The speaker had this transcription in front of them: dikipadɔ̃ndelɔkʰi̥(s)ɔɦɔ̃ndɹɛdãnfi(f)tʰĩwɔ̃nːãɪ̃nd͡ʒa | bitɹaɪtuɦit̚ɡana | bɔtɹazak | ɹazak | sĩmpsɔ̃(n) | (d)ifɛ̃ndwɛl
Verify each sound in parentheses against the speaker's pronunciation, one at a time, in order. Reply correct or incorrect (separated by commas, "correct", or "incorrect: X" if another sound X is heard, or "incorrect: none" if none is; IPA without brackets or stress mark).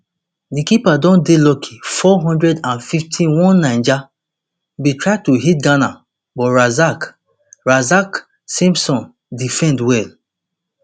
incorrect: f, correct, correct, correct